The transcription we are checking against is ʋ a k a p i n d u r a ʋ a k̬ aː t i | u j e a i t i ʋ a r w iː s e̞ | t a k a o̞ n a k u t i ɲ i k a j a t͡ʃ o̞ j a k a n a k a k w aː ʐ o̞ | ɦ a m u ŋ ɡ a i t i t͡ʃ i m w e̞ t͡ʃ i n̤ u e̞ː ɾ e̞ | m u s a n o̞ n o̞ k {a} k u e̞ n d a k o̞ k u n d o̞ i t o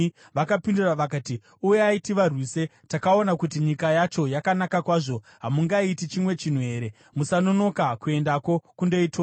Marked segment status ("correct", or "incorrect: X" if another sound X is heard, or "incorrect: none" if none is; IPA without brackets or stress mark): correct